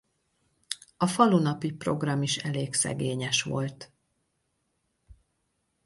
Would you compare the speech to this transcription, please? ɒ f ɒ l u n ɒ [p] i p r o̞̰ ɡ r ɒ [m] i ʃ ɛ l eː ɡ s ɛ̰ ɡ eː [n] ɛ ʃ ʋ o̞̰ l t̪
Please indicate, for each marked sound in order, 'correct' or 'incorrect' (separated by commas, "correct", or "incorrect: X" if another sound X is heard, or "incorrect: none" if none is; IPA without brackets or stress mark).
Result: correct, correct, incorrect: ɲ